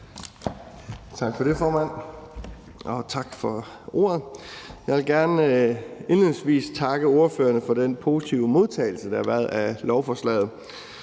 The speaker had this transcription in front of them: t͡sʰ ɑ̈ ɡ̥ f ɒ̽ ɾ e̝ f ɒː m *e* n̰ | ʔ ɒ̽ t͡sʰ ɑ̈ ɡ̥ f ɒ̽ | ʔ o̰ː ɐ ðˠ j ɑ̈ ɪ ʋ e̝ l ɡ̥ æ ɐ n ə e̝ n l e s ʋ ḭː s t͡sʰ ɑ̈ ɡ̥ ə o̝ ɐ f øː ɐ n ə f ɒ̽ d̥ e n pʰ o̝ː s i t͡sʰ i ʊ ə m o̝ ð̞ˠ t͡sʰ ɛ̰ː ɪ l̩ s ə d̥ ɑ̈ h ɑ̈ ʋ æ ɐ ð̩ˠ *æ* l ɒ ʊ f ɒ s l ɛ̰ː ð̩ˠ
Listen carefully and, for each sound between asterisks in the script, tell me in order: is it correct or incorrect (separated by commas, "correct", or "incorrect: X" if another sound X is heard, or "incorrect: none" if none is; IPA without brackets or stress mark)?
incorrect: æ, correct